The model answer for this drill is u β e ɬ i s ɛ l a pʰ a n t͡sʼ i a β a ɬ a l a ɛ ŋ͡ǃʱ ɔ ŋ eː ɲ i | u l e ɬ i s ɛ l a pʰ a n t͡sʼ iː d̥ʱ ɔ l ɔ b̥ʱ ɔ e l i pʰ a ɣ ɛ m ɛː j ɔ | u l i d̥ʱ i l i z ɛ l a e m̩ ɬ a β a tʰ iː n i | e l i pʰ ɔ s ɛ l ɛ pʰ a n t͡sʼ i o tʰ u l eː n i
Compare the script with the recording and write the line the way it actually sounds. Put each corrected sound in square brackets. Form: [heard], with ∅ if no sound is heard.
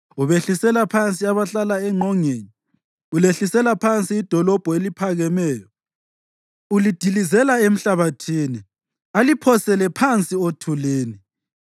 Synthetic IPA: u β e ɬ i s ɛ l a pʰ a n t͡sʼ i a β a ɬ a l a ɛ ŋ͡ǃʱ ɔ ŋ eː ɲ i | u l e ɬ i s ɛ l a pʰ a n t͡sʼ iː d̥ʱ ɔ l ɔ b̥ʱ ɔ e l i pʰ a ɣ ɛ m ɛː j ɔ | u l i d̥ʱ i l i z ɛ l a e m̩ ɬ a β a tʰ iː n i | [a] l i pʰ ɔ s ɛ l ɛ pʰ a n t͡sʼ i o tʰ u l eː n i